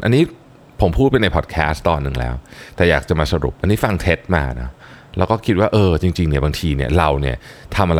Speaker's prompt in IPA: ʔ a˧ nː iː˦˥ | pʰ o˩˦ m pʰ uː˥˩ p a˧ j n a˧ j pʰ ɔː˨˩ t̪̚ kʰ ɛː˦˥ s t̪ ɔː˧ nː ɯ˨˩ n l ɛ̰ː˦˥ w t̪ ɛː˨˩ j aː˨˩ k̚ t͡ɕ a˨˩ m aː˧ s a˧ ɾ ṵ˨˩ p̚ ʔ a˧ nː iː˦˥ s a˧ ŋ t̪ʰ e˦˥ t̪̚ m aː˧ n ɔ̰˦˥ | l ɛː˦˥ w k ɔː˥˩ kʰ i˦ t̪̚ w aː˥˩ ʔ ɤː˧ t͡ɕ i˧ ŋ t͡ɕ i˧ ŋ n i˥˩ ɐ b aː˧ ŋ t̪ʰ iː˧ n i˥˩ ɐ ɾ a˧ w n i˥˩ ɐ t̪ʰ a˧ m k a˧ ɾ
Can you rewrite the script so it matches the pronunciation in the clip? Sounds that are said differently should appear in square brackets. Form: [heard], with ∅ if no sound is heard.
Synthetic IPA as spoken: ʔ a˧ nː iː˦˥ | pʰ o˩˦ m pʰ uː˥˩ p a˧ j n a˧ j pʰ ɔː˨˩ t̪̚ kʰ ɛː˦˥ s t̪ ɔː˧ nː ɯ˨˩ [ŋ] l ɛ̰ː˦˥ w t̪ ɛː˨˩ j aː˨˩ k̚ t͡ɕ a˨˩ m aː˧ s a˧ ɾ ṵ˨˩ p̚ ʔ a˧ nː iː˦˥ [f] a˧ ŋ t̪ʰ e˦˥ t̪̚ m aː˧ n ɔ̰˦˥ | l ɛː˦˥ w k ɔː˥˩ kʰ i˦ t̪̚ w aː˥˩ ʔ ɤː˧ t͡ɕ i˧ ŋ t͡ɕ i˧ ŋ n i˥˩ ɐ b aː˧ ŋ t̪ʰ iː˧ n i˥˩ ɐ ɾ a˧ w n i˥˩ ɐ t̪ʰ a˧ m [ʔ] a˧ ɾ